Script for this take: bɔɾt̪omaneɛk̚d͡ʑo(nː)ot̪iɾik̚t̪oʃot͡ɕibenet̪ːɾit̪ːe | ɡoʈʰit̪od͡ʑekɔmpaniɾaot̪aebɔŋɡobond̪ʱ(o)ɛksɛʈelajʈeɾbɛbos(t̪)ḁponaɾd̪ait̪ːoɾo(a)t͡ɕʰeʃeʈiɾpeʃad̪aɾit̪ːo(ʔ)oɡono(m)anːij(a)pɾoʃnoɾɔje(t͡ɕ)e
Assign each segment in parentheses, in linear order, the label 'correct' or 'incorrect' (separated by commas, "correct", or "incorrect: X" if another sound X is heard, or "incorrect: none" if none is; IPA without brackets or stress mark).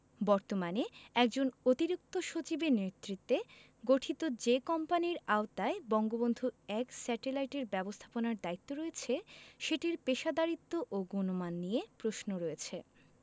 incorrect: n, incorrect: u, incorrect: t̪ʰ, incorrect: e, correct, correct, incorrect: e, incorrect: t͡ɕʰ